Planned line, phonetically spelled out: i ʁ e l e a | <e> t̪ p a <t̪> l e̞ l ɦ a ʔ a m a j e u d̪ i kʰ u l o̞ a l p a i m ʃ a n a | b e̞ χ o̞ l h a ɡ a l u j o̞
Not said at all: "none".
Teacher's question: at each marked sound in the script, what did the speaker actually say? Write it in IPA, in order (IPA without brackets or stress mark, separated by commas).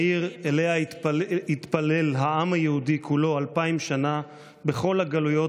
i, none